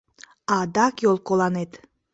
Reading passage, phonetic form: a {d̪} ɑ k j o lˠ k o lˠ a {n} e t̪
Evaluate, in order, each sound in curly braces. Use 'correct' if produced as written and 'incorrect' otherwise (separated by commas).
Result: correct, correct